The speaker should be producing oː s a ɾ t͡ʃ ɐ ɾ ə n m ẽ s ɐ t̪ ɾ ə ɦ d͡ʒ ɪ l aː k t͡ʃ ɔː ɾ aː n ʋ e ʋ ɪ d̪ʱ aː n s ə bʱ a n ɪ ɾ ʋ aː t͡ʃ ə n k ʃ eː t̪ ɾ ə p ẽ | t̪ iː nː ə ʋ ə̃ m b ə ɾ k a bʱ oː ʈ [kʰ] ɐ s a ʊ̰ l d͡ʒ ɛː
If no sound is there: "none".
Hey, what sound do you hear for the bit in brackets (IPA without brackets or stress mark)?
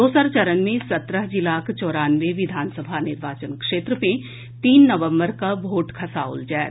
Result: kʰ